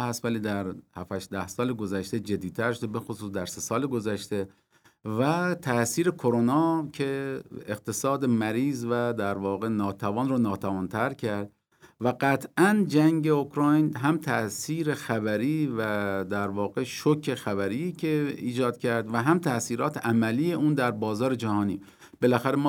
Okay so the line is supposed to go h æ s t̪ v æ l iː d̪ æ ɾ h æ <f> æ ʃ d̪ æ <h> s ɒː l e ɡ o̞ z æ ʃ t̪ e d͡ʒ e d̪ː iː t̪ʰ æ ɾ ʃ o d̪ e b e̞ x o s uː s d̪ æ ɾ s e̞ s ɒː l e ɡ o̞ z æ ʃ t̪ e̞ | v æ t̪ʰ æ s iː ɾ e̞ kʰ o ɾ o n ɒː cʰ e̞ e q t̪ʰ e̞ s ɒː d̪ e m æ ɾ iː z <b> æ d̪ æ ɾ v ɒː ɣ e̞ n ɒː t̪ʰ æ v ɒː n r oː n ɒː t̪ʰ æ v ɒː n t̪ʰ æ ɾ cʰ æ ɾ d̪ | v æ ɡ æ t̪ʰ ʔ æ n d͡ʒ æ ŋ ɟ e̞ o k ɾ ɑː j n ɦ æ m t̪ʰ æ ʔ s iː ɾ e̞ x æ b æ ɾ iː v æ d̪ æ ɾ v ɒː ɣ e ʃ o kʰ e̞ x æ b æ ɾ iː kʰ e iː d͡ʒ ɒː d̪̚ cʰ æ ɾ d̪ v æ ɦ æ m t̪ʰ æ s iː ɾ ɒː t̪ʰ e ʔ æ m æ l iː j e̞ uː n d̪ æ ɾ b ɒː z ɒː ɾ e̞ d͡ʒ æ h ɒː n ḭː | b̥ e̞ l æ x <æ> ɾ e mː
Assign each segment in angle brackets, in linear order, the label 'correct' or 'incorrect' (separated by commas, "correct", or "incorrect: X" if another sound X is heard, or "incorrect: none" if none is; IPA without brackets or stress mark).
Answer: correct, correct, incorrect: v, correct